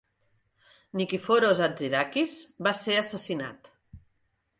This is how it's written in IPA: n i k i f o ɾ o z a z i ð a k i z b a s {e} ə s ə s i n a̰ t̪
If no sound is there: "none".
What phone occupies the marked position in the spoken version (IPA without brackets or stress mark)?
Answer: e